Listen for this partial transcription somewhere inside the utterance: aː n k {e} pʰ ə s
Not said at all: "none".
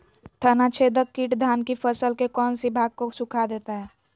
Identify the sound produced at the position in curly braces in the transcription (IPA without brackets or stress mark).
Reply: i